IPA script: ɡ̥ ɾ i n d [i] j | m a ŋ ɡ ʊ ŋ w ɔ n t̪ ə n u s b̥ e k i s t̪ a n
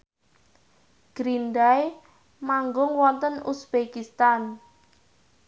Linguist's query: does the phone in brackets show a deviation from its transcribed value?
yes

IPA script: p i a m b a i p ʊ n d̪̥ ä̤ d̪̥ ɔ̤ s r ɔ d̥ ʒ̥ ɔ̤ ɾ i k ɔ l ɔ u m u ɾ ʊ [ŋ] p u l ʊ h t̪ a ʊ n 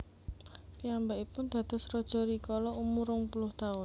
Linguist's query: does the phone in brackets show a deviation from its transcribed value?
no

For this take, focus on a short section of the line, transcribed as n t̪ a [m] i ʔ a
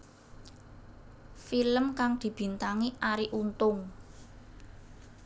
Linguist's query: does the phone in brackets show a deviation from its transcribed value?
yes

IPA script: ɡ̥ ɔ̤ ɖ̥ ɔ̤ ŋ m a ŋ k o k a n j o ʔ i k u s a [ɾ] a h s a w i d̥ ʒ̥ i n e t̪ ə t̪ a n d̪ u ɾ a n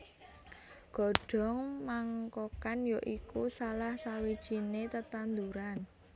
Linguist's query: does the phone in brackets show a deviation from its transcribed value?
yes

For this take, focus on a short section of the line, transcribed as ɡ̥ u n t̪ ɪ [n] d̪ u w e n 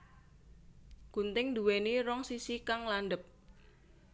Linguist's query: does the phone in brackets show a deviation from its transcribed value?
yes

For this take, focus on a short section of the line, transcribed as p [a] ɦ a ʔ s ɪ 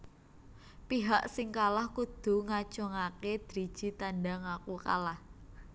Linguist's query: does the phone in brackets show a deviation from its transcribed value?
yes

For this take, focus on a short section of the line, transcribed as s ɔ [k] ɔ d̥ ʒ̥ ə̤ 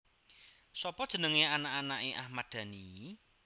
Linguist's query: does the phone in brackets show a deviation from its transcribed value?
yes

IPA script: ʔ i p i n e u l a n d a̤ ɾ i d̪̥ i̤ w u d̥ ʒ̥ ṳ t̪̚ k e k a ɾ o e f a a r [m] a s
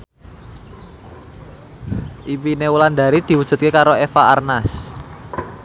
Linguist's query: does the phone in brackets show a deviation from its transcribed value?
yes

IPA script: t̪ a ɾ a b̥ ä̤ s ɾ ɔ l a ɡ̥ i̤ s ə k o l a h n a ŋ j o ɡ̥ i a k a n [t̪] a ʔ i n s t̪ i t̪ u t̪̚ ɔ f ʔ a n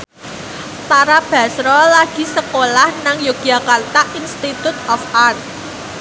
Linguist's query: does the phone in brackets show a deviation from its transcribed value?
no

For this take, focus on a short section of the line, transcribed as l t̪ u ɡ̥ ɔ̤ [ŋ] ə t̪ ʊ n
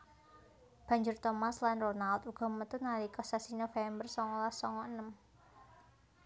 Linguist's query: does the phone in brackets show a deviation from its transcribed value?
yes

